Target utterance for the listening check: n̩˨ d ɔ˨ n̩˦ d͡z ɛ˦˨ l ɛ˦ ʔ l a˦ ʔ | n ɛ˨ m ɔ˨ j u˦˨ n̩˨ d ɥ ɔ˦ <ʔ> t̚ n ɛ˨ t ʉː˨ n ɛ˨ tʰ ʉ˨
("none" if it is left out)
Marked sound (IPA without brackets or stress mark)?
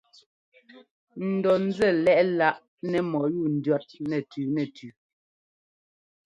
none